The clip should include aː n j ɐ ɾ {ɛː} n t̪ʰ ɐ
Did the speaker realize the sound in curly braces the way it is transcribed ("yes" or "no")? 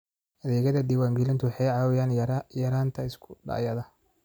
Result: no